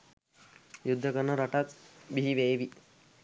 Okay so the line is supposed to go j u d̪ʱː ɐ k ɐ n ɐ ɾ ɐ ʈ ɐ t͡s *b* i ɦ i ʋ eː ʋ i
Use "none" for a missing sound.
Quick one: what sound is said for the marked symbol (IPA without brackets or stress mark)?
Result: b